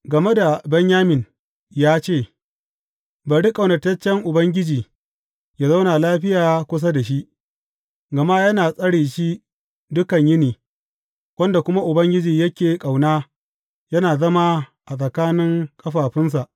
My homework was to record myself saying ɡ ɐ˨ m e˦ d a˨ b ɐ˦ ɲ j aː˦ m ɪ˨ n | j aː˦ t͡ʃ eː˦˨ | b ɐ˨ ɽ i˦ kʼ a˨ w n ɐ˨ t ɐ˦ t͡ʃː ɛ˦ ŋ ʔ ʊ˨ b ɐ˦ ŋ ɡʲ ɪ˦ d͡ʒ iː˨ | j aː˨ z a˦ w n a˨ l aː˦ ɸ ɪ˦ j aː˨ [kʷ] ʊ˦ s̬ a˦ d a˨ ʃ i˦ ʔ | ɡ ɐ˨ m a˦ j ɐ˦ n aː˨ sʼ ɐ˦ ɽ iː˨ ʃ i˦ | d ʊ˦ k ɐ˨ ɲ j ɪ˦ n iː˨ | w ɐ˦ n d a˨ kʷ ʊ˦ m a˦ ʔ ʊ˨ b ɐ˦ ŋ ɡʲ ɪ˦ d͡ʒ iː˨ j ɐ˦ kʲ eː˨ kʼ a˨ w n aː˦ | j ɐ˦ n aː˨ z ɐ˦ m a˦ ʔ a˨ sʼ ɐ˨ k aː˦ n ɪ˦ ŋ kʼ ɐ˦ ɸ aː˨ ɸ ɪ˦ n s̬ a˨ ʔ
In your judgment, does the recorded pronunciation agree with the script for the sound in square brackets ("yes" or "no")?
yes